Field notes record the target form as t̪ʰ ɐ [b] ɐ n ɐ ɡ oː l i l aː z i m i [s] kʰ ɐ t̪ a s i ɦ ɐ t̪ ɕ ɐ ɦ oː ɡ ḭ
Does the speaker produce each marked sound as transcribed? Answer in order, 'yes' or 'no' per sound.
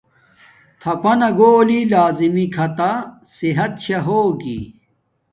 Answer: no, no

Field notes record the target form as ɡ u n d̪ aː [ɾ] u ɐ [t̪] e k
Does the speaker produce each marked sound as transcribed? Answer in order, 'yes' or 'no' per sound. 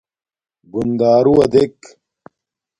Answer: yes, no

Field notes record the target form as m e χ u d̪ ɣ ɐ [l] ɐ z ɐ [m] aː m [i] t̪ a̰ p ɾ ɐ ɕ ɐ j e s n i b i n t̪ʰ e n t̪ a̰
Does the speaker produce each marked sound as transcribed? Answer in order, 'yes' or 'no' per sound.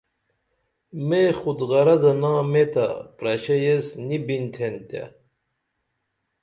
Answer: no, no, no

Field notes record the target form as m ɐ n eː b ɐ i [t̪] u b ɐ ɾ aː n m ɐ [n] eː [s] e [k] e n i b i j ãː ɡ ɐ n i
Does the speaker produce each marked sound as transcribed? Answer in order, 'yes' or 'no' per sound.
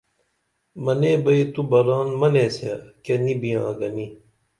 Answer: yes, yes, yes, yes

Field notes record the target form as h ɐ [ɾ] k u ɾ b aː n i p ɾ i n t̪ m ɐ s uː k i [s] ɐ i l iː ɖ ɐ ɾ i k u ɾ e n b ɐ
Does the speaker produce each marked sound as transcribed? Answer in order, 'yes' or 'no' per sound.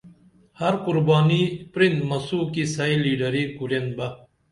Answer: yes, yes

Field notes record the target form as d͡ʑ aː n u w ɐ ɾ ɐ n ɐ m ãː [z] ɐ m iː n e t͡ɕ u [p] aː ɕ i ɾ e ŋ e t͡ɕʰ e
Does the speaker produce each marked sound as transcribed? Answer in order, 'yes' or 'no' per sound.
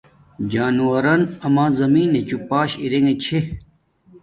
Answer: yes, yes

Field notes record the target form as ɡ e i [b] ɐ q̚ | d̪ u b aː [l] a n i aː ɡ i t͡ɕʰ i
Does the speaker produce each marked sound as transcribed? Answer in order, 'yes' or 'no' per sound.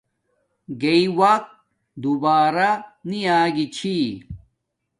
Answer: no, no

